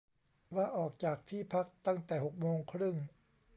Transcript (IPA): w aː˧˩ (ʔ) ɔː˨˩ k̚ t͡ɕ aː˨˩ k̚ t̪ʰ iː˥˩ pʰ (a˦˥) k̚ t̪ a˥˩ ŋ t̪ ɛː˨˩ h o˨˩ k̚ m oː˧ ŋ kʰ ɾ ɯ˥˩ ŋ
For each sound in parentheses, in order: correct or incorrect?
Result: correct, correct

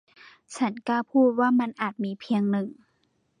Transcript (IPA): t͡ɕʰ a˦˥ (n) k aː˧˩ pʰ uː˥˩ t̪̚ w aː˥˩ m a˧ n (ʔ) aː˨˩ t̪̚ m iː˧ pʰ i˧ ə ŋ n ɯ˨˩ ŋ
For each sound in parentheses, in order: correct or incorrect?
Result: correct, correct

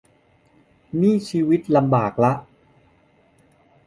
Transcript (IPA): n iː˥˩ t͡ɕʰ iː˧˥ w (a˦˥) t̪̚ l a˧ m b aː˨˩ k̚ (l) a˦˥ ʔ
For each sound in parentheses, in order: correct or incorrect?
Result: incorrect: i˦˥, correct

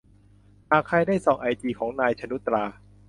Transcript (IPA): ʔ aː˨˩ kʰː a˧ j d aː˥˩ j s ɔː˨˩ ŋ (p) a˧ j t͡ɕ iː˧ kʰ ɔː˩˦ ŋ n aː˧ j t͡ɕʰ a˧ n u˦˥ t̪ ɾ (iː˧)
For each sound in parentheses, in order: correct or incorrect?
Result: incorrect: ʔ, incorrect: aː˧

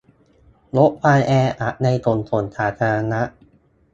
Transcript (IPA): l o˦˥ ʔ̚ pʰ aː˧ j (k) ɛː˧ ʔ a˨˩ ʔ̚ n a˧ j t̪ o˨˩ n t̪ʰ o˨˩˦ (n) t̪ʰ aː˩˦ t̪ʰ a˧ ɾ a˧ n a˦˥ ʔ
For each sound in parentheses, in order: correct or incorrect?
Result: incorrect: ʔ, correct

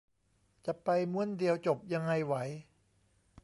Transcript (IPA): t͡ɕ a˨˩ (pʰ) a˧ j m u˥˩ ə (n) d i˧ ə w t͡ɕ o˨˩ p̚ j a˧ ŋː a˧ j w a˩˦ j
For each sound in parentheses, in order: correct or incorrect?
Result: incorrect: p, correct

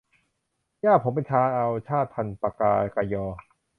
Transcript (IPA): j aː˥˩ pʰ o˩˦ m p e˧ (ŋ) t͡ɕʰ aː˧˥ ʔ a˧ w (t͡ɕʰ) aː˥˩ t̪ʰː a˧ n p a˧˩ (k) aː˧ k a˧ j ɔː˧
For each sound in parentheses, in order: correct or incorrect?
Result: incorrect: n, correct, correct

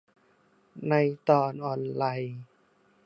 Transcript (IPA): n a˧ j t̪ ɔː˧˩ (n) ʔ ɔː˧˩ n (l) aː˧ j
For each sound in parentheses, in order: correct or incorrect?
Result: correct, correct

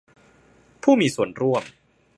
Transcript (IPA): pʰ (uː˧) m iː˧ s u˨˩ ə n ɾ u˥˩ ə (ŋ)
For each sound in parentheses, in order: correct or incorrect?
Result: incorrect: uː˥˩, incorrect: m

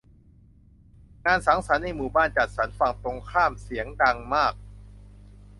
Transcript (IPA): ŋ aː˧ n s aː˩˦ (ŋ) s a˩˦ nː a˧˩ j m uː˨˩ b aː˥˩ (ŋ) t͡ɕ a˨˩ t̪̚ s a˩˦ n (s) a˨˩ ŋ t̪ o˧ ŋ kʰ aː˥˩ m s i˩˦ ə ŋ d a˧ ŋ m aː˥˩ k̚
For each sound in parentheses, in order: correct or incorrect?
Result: correct, incorrect: n, incorrect: f

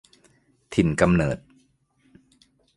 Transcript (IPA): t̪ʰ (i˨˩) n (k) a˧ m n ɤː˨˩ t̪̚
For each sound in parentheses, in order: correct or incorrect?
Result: correct, correct

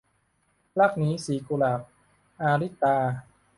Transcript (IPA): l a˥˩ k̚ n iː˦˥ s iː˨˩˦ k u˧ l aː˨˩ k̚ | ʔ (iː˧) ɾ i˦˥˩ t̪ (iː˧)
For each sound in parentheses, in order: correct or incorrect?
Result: incorrect: aː˧, incorrect: aː˧

